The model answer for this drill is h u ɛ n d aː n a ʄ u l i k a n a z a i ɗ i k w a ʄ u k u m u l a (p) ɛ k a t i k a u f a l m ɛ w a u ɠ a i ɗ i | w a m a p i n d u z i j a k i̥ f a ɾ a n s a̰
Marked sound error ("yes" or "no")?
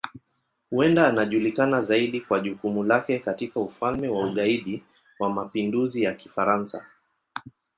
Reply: yes